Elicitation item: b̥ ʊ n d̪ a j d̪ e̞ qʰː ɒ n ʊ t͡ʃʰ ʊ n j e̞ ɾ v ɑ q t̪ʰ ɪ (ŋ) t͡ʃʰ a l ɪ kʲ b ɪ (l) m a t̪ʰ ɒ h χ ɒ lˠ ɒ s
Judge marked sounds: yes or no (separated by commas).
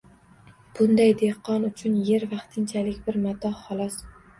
no, no